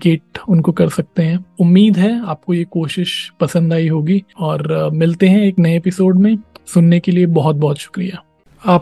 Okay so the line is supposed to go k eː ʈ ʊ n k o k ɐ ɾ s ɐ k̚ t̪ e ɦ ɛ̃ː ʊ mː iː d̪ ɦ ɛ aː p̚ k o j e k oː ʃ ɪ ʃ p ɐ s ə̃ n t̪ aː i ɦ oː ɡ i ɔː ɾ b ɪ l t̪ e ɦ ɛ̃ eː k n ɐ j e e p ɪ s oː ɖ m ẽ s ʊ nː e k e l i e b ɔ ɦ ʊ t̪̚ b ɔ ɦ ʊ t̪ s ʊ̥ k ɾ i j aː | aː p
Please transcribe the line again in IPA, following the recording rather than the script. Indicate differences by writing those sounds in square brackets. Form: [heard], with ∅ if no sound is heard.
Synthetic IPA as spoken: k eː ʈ ʊ n k o k ɐ ɾ s ɐ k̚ t̪ e ɦ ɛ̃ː ʊ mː iː d̪ ɦ ɛ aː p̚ k o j e k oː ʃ ɪ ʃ p ɐ s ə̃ n [d̪] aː i ɦ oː ɡ i ɔː ɾ [m] ɪ l t̪ e ɦ ɛ̃ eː k n ɐ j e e p ɪ s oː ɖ m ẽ s ʊ nː e k e l i e b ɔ ɦ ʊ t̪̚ b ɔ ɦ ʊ t̪ [ʃ] ʊ̥ k ɾ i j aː | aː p